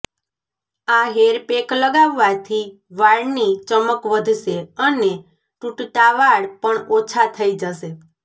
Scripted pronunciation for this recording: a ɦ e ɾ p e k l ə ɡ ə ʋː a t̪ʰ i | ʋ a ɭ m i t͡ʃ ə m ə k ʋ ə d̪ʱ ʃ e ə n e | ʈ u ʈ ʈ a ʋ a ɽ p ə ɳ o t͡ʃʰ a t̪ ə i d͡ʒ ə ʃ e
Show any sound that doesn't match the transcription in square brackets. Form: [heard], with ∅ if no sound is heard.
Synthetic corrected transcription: a ɦ e ɾ p e k l ə ɡ [a] ʋː a t̪ʰ i | ʋ a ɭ [n] i t͡ʃ ə m ə k ʋ ə d̪ʱ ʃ e ə n e | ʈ u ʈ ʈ a ʋ a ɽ p ə ɳ o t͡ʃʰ a [t̪ʰ] ə i d͡ʒ ə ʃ e